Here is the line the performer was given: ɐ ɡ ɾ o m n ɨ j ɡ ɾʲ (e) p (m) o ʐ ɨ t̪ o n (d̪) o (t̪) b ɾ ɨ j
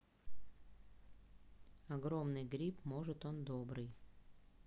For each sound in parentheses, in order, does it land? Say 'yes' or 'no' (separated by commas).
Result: no, yes, yes, no